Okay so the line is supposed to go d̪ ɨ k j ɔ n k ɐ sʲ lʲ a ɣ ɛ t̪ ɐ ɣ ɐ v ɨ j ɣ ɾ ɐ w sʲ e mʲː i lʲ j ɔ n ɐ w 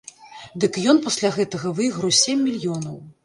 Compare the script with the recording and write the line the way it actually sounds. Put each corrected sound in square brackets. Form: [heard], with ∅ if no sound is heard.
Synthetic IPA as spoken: d̪ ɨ k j ɔ n [p] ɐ sʲ lʲ a ɣ ɛ t̪ ɐ ɣ ɐ v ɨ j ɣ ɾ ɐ w sʲ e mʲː i lʲ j ɔ n ɐ w